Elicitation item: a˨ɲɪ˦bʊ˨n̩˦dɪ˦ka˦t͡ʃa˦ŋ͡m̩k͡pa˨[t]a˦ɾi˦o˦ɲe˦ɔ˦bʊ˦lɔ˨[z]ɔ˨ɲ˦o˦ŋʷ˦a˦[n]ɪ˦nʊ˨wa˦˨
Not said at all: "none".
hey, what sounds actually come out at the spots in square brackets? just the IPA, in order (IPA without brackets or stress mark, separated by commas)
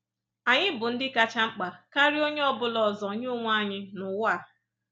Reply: k, z, ɲ